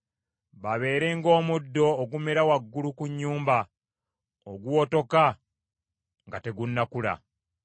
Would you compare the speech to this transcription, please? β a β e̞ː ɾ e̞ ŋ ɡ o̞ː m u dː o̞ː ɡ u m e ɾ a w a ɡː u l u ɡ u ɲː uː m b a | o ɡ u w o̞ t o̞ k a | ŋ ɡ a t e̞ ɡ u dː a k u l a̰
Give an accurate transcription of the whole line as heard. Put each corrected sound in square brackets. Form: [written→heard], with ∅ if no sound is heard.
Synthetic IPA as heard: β a β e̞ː ɾ e̞ ŋ ɡ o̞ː m u dː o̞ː ɡ u m e ɾ a w a ɡː u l u [ɡ→k] u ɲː uː m b a | o ɡ u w o̞ t o̞ k a | ŋ ɡ a t e̞ ɡ u [dː→nː] a k u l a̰